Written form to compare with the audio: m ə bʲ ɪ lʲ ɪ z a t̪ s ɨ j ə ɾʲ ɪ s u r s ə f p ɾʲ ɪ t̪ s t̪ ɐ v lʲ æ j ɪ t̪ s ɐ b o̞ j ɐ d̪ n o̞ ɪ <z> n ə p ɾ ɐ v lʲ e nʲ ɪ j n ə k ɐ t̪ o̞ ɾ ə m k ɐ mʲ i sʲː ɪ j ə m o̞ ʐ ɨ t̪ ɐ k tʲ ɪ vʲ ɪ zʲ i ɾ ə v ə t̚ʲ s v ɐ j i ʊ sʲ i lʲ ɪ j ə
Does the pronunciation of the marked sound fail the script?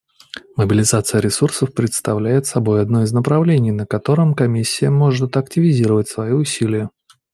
no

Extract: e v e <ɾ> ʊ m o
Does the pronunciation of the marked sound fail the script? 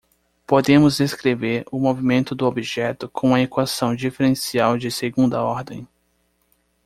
no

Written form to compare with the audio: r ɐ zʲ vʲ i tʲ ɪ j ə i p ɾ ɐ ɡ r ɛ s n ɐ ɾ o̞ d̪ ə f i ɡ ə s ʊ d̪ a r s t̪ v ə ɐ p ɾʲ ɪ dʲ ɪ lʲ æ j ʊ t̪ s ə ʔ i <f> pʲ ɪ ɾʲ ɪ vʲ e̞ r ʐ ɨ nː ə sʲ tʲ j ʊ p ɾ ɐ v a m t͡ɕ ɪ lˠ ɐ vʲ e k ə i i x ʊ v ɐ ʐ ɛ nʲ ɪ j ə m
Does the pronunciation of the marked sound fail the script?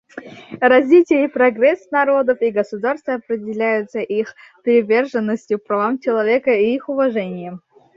yes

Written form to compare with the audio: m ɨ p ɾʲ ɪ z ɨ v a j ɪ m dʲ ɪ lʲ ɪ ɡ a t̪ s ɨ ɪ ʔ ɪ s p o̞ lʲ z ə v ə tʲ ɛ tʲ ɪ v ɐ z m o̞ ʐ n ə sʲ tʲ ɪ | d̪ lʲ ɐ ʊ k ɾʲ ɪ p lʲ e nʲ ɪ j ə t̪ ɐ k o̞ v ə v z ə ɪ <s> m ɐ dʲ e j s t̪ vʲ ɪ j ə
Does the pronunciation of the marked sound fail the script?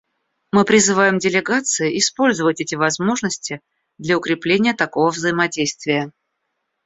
yes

